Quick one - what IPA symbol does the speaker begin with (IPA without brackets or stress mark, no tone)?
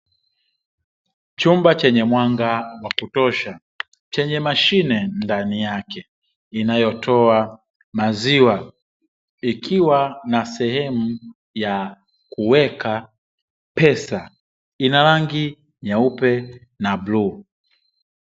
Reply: t͡ʃ